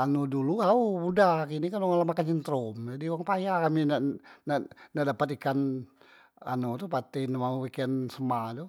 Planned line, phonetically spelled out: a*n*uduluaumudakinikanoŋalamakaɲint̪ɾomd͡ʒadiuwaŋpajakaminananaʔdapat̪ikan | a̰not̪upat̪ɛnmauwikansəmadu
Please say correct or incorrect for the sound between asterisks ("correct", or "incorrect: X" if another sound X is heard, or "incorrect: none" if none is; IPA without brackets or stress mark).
correct